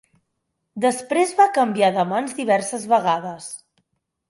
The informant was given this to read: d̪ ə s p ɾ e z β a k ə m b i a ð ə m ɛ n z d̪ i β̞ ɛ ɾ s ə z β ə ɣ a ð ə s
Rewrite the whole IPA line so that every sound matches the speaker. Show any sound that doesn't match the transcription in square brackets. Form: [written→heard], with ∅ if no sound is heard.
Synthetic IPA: d̪ ə s p ɾ e z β a k ə m b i a ð ə m [ɛ→a] n z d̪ i β̞ ɛ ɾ s ə z β ə ɣ a ð ə s